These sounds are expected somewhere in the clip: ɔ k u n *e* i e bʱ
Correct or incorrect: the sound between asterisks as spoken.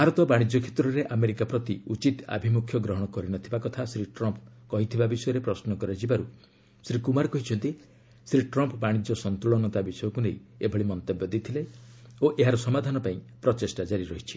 correct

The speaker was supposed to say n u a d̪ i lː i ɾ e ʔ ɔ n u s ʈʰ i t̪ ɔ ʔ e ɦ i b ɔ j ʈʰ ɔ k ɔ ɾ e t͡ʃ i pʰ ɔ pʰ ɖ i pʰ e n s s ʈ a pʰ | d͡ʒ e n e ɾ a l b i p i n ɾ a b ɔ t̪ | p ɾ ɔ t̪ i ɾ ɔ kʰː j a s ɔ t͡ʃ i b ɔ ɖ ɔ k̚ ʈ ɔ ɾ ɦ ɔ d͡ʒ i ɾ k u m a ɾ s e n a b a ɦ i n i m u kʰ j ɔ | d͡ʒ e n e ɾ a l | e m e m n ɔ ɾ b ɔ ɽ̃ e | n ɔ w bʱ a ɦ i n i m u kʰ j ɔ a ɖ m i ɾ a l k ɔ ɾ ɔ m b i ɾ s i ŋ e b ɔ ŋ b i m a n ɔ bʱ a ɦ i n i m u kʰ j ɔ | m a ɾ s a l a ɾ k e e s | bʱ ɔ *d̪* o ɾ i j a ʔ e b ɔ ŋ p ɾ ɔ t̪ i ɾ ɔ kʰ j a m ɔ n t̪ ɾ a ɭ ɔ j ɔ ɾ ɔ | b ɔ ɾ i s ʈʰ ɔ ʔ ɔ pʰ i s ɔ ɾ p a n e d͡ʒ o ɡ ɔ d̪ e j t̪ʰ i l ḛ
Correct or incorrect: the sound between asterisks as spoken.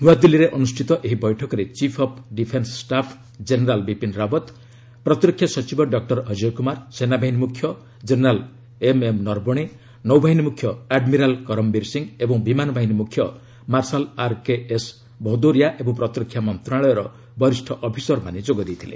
correct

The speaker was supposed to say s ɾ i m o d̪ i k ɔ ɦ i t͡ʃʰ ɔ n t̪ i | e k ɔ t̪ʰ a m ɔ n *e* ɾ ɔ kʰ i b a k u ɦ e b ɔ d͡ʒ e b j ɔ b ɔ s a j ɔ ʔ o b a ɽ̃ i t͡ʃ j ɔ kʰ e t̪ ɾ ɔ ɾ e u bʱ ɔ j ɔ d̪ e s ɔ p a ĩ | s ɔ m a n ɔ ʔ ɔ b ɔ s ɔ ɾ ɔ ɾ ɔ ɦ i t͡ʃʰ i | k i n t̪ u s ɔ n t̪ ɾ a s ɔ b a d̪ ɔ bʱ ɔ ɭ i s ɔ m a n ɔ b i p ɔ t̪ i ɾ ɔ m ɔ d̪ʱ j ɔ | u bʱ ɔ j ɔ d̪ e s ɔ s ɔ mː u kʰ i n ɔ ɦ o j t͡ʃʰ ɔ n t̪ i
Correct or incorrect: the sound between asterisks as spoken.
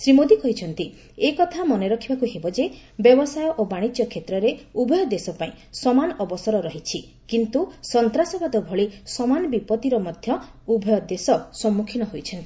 correct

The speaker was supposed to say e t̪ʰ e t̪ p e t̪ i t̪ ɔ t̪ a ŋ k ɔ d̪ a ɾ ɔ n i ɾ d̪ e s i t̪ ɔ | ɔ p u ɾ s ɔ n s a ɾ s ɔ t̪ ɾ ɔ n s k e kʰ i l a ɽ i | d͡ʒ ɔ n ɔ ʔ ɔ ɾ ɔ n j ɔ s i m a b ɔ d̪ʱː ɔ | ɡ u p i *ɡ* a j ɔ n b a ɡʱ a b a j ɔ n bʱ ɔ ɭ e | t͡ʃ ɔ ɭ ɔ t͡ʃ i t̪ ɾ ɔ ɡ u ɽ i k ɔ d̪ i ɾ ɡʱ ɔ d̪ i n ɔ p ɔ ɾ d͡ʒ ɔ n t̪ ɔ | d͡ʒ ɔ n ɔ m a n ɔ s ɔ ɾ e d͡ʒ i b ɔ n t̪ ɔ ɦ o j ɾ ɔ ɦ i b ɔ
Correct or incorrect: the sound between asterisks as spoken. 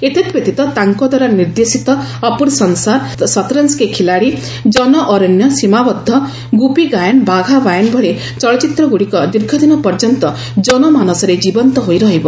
correct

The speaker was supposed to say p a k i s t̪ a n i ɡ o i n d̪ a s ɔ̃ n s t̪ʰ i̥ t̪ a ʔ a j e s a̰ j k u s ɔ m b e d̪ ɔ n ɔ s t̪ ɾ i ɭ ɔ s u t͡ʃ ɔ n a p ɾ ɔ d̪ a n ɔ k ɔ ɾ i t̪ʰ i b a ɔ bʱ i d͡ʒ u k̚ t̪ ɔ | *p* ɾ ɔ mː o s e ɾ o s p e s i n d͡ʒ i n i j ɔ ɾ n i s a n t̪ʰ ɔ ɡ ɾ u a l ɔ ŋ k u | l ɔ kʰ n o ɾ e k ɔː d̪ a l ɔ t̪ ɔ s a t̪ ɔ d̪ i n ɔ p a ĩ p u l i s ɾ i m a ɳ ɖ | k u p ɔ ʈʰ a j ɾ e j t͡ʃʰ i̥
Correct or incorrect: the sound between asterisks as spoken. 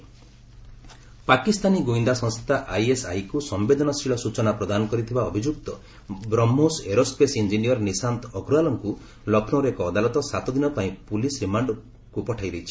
incorrect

